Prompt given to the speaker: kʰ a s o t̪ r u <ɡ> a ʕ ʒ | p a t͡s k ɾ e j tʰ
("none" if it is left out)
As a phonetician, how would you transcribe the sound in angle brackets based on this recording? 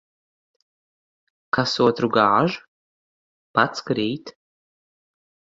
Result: ɡ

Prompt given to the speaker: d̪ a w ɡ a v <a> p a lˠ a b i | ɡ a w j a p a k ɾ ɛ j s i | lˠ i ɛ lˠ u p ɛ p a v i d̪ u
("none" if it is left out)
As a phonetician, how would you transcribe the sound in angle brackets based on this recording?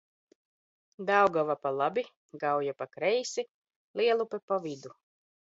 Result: a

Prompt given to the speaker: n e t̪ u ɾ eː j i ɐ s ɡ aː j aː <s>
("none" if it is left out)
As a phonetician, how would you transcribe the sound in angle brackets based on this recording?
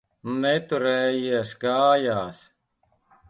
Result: s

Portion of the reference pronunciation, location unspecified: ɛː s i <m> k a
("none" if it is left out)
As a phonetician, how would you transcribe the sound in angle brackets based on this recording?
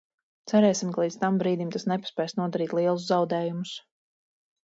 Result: m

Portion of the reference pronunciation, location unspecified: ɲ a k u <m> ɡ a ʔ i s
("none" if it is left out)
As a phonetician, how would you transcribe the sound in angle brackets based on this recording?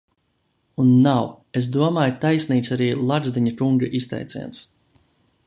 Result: ŋ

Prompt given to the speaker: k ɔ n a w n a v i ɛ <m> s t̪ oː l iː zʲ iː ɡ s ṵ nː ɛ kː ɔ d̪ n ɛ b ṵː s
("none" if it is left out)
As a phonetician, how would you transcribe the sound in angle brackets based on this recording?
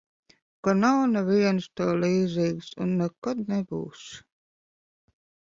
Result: n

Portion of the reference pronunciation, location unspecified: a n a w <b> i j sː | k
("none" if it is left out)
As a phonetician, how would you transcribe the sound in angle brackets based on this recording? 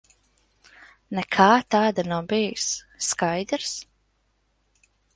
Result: b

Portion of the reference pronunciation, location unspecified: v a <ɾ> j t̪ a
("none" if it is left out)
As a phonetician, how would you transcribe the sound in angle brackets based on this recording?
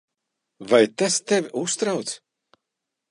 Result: none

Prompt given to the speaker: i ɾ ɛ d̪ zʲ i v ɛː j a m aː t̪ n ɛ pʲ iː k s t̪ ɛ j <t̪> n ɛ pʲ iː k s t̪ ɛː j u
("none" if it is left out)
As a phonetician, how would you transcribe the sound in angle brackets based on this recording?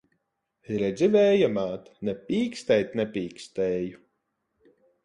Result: t̪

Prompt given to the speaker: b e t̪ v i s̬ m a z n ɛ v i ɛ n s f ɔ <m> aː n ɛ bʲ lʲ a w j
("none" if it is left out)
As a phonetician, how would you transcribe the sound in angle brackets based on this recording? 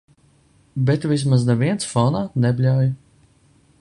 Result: n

